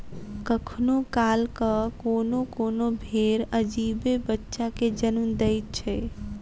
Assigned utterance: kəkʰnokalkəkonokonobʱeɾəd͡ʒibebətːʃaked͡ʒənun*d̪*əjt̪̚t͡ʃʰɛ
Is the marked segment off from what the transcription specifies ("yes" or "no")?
no